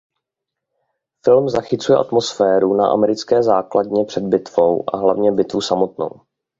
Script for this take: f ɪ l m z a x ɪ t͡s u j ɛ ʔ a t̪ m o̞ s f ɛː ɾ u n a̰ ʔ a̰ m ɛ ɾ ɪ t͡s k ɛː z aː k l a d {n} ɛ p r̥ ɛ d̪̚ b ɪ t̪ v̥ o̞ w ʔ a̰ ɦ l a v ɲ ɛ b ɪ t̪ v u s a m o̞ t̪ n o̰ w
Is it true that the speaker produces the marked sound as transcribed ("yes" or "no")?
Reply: no